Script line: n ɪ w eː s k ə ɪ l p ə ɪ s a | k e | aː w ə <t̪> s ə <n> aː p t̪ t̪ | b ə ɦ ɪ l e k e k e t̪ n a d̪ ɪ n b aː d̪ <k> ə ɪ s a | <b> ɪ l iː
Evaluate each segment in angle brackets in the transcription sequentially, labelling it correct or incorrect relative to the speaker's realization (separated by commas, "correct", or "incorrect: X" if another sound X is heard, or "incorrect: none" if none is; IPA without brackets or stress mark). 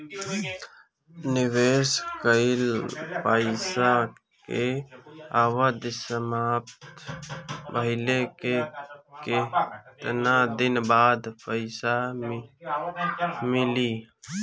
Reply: incorrect: d̪, incorrect: m, incorrect: p, incorrect: m